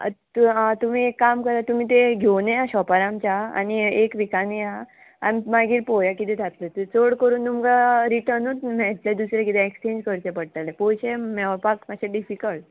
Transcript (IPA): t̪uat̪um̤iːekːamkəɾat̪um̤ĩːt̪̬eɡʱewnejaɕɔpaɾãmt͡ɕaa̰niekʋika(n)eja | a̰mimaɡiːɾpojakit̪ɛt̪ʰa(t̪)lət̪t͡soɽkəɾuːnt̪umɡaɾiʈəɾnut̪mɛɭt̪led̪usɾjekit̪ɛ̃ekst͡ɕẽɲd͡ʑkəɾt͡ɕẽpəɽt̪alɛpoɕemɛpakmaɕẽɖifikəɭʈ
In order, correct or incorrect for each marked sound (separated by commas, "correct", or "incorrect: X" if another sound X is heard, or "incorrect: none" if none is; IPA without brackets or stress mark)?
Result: correct, correct